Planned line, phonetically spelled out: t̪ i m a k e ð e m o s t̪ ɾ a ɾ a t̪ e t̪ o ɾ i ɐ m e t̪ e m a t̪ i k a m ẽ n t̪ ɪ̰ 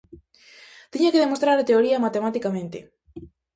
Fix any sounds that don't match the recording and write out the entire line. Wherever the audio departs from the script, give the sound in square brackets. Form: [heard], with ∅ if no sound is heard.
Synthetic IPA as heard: t̪ i [ɲ] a k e ð e m o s t̪ ɾ a ɾ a t̪ e [∅] o ɾ i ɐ m [a] t̪ e m a t̪ i k a m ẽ n t̪ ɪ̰